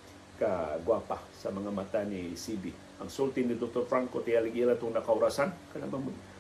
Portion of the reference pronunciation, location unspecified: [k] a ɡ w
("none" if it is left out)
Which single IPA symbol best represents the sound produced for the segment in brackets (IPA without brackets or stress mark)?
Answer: k